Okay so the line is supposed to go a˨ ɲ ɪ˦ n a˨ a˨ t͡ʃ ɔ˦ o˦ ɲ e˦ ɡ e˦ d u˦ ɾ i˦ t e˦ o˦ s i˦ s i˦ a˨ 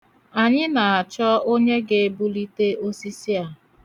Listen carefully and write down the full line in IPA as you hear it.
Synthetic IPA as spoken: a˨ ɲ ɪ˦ n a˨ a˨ t͡ʃ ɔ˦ o˦ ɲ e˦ ɡ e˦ b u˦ l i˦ t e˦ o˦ s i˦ s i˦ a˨